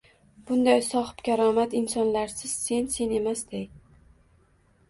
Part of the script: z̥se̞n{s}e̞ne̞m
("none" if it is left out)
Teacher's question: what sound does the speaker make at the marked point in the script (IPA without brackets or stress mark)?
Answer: s